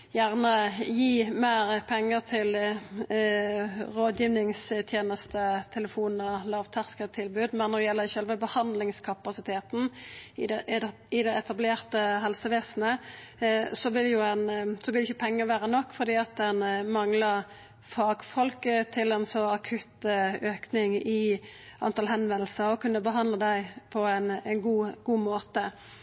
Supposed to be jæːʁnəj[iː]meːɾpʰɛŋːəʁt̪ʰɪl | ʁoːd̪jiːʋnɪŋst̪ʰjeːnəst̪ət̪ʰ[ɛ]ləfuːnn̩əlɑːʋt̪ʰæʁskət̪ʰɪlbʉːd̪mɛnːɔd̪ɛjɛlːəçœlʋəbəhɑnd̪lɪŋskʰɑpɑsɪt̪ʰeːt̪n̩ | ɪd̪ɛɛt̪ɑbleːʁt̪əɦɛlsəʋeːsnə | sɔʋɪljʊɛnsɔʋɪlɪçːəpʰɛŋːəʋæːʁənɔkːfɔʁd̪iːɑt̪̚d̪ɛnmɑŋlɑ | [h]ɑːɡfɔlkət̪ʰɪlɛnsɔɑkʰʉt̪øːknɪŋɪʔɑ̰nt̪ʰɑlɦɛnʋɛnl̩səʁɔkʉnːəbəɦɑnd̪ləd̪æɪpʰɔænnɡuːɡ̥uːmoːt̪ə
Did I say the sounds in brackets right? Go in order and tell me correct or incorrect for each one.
correct, correct, incorrect: f

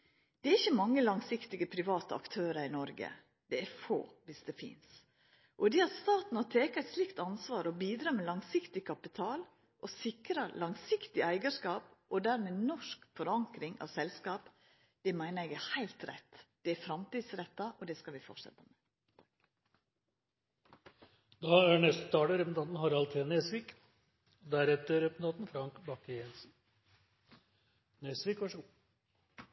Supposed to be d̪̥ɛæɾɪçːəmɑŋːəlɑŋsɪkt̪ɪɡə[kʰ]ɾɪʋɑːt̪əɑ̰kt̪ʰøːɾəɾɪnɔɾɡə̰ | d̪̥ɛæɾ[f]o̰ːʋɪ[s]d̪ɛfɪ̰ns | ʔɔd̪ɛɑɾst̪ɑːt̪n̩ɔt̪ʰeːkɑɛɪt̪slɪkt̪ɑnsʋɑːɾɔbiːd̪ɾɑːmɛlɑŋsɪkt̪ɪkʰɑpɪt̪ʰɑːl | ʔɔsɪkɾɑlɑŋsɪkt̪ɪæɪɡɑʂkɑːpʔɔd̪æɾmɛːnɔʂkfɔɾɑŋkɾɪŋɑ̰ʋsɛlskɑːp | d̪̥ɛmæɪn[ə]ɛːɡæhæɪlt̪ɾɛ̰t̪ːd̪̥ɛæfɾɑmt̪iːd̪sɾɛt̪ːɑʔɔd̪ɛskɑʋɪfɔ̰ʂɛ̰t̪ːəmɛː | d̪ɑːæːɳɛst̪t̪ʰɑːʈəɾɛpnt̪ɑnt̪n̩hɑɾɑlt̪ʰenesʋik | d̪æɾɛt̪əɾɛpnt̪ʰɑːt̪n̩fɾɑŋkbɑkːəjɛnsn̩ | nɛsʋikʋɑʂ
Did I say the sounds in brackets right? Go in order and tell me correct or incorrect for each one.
incorrect: pʰ, correct, correct, correct

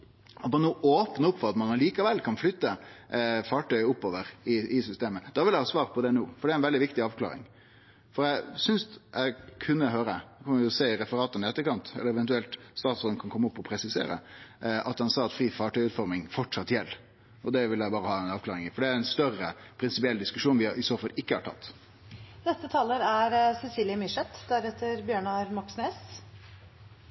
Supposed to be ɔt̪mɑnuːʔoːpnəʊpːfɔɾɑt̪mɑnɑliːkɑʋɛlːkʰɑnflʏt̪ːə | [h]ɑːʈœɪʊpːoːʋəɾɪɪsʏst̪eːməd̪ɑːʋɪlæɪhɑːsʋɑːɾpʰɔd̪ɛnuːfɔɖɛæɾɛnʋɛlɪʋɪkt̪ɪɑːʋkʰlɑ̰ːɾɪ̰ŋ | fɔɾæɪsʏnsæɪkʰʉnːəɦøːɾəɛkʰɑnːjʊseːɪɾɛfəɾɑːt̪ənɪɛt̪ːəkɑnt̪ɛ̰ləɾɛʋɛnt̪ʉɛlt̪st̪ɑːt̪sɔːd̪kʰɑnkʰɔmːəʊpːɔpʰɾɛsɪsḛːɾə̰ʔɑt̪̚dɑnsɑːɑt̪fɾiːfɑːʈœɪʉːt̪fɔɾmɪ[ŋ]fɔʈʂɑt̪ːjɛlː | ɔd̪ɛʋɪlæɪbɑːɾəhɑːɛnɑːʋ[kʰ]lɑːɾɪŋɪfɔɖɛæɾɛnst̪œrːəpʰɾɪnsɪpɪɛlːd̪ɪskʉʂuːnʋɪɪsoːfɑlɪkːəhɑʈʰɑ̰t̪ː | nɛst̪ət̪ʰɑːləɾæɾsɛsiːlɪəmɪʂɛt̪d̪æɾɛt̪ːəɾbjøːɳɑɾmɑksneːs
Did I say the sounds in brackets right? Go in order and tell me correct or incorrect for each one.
incorrect: f, correct, incorrect: k

